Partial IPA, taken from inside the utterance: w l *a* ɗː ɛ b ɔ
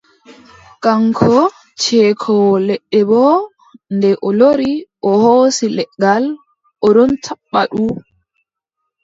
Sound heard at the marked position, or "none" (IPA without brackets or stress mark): ɛ